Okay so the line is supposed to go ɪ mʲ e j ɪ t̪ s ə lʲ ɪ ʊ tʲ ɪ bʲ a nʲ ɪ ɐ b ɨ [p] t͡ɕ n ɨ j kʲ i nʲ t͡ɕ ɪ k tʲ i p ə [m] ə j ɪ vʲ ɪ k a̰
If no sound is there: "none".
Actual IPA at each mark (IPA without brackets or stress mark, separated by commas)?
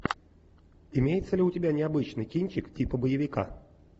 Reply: none, b